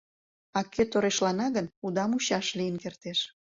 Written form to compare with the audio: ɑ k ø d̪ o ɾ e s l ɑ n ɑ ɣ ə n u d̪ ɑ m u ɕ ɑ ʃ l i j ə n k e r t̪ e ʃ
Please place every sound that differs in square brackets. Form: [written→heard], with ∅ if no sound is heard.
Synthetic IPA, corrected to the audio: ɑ k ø [d̪→t̪] o ɾ e [s→ʃ] l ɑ n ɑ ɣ ə n u d̪ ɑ m u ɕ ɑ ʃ l i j ə n k e r t̪ e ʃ